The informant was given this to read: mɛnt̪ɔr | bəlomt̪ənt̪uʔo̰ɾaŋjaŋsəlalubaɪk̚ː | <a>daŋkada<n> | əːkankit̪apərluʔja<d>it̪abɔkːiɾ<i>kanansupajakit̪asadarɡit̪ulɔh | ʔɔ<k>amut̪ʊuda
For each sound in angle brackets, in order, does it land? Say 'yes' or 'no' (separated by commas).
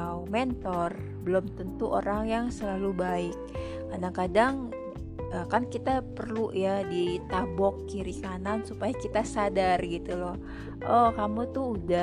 yes, no, yes, yes, yes